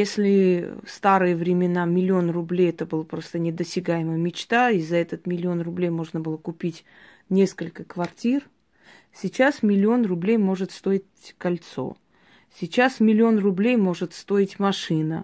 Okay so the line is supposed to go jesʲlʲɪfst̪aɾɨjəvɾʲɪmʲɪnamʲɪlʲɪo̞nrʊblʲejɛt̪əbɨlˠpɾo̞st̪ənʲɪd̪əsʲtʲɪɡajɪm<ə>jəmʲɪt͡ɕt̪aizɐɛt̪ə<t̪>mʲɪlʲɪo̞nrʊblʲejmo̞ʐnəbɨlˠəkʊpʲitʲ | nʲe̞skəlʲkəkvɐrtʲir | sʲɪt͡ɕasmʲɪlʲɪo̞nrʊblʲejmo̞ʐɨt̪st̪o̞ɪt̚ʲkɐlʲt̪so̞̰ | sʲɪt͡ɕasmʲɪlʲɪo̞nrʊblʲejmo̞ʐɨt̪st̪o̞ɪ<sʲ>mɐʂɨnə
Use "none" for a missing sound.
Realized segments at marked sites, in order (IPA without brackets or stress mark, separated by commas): ə, t̪, tʲ